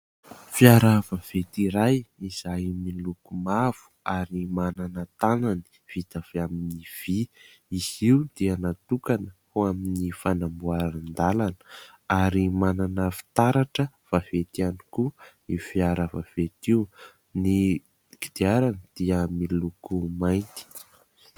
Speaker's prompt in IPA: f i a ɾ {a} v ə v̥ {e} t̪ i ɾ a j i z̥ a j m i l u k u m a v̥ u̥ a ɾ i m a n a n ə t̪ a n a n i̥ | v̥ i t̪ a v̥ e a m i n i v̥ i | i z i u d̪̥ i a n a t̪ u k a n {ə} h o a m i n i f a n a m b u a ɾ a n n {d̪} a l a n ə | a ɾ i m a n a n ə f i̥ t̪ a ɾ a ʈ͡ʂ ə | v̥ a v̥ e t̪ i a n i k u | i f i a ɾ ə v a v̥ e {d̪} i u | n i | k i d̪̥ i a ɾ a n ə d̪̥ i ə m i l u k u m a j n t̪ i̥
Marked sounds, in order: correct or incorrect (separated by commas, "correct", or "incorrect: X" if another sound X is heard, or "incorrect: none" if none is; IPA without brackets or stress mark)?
correct, correct, correct, correct, incorrect: t̪